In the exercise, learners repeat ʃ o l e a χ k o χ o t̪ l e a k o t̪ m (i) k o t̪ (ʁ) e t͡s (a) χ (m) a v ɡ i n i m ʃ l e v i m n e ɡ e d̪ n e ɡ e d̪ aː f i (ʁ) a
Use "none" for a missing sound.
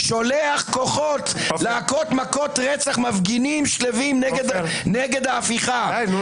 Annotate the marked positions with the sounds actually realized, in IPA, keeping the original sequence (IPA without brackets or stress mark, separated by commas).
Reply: a, ʁ, a, m, χ